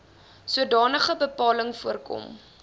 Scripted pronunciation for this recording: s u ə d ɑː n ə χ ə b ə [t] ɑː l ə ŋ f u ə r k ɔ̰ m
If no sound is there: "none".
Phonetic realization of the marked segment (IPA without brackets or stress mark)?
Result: p